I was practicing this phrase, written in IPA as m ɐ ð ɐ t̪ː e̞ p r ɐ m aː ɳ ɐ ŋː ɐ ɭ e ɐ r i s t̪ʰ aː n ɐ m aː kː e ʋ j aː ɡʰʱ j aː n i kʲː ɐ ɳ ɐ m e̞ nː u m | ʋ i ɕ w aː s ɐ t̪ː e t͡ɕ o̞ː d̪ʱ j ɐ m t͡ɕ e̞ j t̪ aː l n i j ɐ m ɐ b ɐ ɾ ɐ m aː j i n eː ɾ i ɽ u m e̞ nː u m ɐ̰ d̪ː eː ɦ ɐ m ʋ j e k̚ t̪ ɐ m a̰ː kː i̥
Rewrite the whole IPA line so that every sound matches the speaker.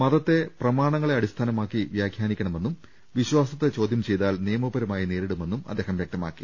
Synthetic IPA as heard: m ɐ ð ɐ t̪ː e̞ p r ɐ m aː ɳ ɐ ŋː ɐ ɭ e ɐ ɽ i s t̪ʰ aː n ɐ m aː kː i ʋ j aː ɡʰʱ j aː n i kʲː ɐ ɳ ɐ m e̞ nː u m | ʋ i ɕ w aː s ɐ t̪ː e t͡ɕ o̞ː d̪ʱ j ɐ m t͡ɕ e̞ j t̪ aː l n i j ɐ m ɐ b ɐ ɾ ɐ m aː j i n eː ɾ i ɽ u m e̞ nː u m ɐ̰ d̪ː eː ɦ ɐ m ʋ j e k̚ t̪ ɐ m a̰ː kː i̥